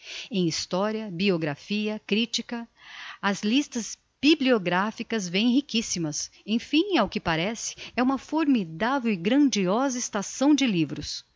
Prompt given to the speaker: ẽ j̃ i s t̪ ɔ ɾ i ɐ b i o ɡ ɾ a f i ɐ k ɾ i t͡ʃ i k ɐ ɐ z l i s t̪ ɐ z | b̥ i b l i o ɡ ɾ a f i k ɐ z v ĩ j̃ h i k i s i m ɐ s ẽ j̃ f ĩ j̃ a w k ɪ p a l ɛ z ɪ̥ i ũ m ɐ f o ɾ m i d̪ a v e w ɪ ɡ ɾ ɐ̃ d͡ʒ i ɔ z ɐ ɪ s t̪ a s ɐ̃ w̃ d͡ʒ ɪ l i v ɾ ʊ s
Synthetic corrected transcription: ẽ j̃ i s t̪ ɔ ɾ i ɐ b i o ɡ ɾ a f i ɐ k ɾ i t͡ʃ i k ɐ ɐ z l i s t̪ ɐ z | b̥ i b l i o ɡ ɾ a f i k ɐ z v ẽ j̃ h i k i s i m ɐ s ẽ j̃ f ĩ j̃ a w k ɪ p a ɾ ɛ s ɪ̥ ɛ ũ m ɐ f o ɾ m i d̪ a v e w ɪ ɡ ɾ ɐ̃ d͡ʒ i ɔ z ɐ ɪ s t̪ a s ɐ̃ w̃ d͡ʒ ɪ l i v ɾ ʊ s

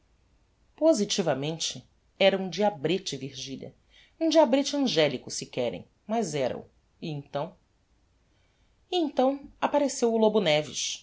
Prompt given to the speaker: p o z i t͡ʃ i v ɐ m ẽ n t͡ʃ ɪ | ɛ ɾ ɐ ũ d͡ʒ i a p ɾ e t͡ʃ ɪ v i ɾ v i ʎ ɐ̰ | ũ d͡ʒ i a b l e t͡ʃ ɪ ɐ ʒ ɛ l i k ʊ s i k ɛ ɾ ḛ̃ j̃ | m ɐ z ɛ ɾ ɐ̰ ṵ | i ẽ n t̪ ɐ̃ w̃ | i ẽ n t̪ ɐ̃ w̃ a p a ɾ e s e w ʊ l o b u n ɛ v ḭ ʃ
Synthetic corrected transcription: p o z i t͡ʃ i v ɐ m ẽ n t͡ʃ ɪ | ɛ ɾ ɐ ũ d͡ʒ i a b ɾ e t͡ʃ ɪ v i ɾ ʒ i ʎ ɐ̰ | ũ d͡ʒ i a b ɾ e t͡ʃ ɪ ɐ̃ ʒ ɛ l i k ʊ s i k ɛ ɾ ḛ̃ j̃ | m ɐ z ɛ ɾ ɐ̰ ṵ | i ẽ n t̪ ɐ̃ w̃ | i ẽ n t̪ ɐ̃ w̃ a p a ɾ e s e w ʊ l o b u n ɛ v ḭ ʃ

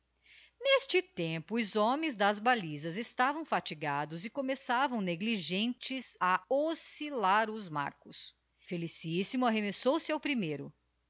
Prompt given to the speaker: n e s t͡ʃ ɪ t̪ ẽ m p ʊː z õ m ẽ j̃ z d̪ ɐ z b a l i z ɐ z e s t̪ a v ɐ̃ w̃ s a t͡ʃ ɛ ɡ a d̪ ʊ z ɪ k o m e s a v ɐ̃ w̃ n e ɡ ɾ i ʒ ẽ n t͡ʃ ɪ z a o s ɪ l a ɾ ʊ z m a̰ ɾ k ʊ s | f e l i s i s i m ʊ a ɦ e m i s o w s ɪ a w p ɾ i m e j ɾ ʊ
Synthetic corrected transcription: n e s t͡ʃ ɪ t̪ ẽ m p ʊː z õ m ẽ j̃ z d̪ ɐ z b a l i z ɐ z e s t̪ a v ɐ̃ w̃ f a t͡ʃ i ɡ a d̪ ʊ z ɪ k o m e s a v ɐ̃ w̃ n e ɡ l i ʒ ẽ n t͡ʃ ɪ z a o s i l a ɾ ʊ z m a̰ ɾ k ʊ s | f e l i s i s i m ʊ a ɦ e m e s o w s ɪ a w p ɾ i m e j ɾ ʊ

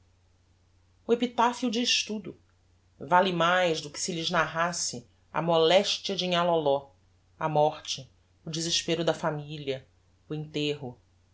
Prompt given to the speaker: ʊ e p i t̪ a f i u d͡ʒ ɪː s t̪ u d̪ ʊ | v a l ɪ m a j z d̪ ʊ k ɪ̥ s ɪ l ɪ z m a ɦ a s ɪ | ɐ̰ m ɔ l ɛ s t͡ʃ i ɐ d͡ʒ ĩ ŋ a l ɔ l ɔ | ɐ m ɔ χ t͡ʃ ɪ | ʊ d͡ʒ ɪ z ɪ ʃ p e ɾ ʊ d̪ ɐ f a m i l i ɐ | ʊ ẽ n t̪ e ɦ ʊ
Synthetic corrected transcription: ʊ e p i t̪ a f i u d͡ʒ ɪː ʃ t̪ u d̪ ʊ | v a l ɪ m a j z d̪ ʊ k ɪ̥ s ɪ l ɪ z n a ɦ a s ɪ | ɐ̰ m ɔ l ɛ ʃ t͡ʃ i ɐ d͡ʒ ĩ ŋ a l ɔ l ɔ | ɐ m ɔ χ t͡ʃ ɪ | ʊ d͡ʒ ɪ z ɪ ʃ p e ɾ ʊ d̪ ɐ f a m i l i ɐ | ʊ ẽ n t̪ e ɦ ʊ

